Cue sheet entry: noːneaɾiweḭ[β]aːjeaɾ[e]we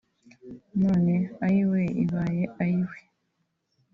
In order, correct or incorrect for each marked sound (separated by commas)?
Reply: correct, incorrect